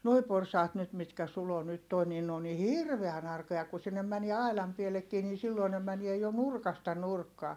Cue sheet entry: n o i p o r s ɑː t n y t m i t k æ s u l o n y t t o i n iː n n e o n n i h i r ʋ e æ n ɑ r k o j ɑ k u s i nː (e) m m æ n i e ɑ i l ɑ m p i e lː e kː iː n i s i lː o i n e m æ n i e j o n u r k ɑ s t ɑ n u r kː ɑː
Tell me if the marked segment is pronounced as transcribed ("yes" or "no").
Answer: yes